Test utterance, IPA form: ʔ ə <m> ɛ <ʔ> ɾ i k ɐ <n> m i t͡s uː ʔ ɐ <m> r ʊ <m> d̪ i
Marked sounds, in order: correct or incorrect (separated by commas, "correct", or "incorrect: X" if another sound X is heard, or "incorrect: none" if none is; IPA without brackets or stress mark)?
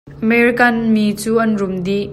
correct, incorrect: none, correct, incorrect: n, correct